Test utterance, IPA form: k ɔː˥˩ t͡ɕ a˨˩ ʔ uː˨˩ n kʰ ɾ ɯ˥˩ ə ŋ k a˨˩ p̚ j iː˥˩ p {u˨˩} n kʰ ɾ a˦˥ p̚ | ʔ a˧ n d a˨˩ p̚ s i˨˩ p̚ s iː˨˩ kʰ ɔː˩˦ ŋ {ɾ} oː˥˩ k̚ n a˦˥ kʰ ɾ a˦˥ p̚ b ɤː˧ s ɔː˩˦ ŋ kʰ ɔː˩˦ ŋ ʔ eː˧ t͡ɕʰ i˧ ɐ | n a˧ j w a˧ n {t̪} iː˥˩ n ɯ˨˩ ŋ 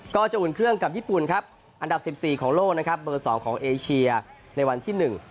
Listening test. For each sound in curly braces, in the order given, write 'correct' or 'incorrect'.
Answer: correct, incorrect: l, incorrect: t̪ʰ

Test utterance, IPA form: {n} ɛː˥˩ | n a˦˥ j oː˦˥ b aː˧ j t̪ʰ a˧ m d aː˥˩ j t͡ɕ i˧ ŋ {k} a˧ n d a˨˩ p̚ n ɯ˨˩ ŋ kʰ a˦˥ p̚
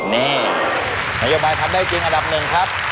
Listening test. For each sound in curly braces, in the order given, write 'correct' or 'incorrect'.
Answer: correct, incorrect: ʔ

